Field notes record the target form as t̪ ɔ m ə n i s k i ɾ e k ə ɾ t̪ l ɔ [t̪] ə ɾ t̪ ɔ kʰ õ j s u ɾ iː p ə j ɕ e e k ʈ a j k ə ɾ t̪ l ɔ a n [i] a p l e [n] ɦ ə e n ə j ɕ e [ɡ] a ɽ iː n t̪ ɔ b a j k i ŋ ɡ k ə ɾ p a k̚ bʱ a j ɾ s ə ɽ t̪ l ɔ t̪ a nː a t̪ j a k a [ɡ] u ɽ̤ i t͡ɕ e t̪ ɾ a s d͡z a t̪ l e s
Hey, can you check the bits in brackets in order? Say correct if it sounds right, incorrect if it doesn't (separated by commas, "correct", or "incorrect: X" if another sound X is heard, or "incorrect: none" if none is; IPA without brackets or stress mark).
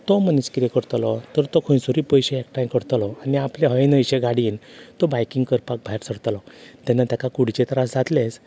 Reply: correct, correct, incorrect: none, correct, incorrect: k